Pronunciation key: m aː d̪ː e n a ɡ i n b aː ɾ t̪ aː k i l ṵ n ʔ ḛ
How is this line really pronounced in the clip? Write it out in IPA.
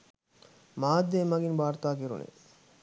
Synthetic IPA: m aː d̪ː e m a ɡ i n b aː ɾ t̪ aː k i ɾ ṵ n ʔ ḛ